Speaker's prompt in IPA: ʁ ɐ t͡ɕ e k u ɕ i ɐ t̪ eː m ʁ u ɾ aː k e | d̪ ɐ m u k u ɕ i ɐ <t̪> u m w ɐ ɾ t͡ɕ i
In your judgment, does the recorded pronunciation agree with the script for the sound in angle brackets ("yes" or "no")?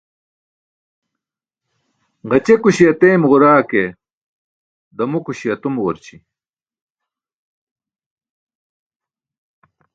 yes